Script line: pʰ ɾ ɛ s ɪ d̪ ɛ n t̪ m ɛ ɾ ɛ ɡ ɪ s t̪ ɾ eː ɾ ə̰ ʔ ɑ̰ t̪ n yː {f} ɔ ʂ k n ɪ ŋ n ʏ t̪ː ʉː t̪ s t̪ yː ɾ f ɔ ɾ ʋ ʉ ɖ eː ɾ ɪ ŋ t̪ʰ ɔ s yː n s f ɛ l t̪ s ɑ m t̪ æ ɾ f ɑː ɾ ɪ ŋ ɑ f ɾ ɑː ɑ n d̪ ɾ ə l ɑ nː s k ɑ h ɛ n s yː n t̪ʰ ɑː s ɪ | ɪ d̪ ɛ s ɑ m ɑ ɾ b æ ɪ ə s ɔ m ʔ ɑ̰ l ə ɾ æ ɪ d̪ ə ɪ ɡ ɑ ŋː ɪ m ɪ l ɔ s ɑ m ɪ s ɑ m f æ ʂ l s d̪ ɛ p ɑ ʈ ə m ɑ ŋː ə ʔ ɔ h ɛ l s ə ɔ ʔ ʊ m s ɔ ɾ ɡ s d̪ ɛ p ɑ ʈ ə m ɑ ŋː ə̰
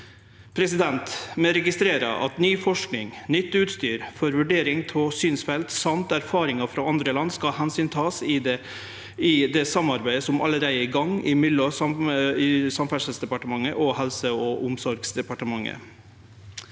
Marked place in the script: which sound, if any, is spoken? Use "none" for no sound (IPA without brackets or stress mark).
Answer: f